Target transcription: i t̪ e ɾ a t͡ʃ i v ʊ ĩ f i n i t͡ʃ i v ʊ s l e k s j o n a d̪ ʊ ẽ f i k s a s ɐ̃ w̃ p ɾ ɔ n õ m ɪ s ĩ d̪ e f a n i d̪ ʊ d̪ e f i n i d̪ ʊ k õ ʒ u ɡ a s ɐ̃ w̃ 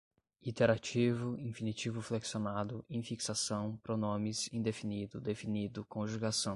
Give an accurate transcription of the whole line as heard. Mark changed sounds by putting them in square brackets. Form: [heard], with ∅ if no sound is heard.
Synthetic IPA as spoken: i t̪ e ɾ a t͡ʃ i v ʊ ĩ f i n i t͡ʃ i v ʊ [f] l e k s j o n a d̪ ʊ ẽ f i k s a s ɐ̃ w̃ p ɾ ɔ n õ m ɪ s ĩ d̪ e f [i] n i d̪ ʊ d̪ e f i n i d̪ ʊ k õ ʒ u ɡ a s ɐ̃ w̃